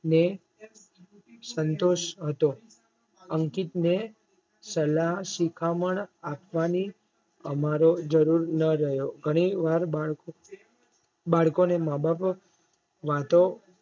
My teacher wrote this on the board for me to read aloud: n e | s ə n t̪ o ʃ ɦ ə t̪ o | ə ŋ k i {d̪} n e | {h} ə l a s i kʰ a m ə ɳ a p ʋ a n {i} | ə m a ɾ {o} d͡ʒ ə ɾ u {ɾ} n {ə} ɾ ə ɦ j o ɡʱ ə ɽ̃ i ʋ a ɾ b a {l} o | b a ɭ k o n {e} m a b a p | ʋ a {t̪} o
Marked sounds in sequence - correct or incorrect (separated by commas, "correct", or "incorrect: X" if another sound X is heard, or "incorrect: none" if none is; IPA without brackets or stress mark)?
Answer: incorrect: t̪, incorrect: s, correct, correct, correct, correct, incorrect: ɭ, correct, correct